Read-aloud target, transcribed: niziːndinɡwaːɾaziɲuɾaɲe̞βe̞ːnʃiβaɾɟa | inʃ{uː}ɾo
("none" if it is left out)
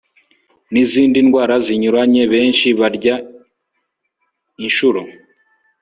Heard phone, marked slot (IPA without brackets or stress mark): u